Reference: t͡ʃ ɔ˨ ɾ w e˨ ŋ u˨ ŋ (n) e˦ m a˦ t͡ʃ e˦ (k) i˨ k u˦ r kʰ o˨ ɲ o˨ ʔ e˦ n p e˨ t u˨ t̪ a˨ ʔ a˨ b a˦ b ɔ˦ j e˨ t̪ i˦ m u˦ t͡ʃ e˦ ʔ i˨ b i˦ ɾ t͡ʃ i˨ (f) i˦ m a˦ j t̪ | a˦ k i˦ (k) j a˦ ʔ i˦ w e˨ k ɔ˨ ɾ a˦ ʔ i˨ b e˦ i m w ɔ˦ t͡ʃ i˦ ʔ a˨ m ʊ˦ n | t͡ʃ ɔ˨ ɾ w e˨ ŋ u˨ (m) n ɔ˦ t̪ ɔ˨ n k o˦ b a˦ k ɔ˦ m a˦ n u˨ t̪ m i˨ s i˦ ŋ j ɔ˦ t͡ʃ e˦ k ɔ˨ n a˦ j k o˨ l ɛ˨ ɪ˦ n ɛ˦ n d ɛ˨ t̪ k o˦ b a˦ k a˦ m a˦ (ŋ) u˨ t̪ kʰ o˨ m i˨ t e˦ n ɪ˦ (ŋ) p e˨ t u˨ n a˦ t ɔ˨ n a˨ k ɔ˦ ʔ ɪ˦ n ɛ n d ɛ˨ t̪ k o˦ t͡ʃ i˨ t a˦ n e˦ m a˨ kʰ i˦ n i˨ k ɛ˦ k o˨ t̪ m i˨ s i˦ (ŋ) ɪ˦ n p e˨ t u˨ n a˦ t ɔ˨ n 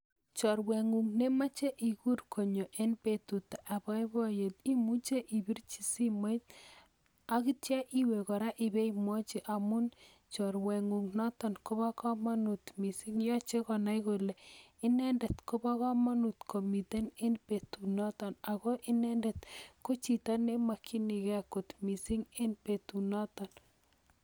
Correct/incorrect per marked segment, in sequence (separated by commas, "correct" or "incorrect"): correct, incorrect, incorrect, incorrect, incorrect, incorrect, incorrect, correct